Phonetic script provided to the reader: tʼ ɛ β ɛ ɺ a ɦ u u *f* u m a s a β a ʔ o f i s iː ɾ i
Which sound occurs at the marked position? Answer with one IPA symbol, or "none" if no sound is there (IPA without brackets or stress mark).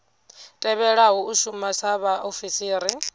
ʃ